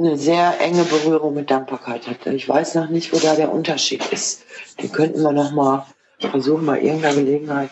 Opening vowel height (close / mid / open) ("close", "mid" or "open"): mid